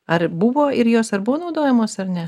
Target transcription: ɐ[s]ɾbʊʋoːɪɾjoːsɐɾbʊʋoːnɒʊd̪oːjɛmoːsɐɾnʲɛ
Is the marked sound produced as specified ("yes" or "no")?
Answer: no